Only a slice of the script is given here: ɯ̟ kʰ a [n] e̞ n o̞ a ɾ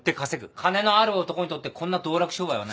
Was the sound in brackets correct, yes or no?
yes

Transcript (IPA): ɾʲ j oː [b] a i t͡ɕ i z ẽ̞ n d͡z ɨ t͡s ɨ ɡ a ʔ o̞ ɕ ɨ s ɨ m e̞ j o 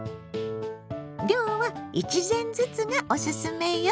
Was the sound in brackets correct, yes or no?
no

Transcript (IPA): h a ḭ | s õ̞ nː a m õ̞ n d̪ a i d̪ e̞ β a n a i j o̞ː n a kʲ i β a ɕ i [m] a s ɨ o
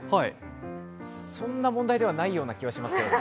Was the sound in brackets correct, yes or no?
yes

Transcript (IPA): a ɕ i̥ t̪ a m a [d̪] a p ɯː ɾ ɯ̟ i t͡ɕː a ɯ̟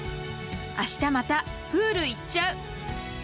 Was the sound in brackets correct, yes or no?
no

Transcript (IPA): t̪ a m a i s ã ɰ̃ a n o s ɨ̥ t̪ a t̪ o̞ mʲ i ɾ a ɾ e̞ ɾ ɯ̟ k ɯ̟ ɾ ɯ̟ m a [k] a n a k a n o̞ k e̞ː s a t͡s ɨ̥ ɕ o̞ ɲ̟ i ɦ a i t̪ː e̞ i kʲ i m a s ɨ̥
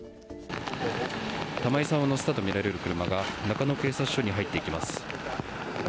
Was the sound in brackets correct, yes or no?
no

